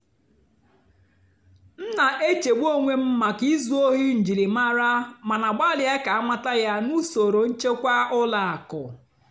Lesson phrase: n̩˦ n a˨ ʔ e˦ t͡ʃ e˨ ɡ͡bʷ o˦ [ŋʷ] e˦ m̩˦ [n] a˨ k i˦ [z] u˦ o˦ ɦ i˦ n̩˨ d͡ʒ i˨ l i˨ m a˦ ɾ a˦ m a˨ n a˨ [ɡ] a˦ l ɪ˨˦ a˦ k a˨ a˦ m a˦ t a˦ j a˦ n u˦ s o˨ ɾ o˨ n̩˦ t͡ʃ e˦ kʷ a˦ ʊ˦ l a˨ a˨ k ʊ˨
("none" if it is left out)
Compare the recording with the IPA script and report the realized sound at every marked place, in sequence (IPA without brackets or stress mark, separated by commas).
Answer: ŋʷ, m, z, ɡ͡b